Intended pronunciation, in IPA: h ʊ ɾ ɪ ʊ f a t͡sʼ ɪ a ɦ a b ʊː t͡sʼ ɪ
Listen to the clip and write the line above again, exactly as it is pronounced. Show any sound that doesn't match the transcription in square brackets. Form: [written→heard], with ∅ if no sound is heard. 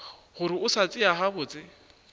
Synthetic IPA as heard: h ʊ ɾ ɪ ʊ [f→s] a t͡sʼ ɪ a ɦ a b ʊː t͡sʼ ɪ